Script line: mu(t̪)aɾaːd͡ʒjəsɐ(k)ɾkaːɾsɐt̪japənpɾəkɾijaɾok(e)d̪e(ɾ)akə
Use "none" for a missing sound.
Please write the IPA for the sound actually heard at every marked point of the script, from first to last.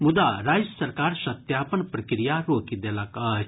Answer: d̪, none, i, l

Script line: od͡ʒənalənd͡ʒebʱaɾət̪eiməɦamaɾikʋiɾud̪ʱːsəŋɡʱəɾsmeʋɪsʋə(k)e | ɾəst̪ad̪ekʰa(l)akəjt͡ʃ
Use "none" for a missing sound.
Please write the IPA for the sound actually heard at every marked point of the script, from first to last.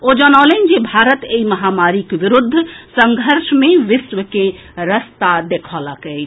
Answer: k, l

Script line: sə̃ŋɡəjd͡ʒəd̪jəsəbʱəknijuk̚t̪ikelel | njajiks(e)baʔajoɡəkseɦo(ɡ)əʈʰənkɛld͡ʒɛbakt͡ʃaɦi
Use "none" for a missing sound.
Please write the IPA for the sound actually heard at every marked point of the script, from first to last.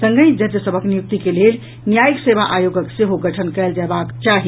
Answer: e, ɡ

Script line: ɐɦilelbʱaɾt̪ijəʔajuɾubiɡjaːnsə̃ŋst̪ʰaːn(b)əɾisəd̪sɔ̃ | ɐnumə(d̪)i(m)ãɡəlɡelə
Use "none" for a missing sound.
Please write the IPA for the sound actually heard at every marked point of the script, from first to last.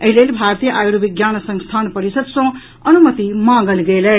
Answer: p, t̪, m

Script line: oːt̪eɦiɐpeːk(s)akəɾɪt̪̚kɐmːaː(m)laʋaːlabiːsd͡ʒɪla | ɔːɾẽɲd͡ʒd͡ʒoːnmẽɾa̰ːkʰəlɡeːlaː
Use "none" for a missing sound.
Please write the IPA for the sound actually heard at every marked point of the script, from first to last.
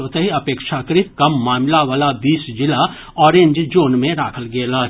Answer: ʃ, m

